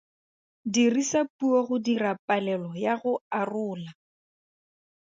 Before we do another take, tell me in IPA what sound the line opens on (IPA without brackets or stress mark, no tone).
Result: d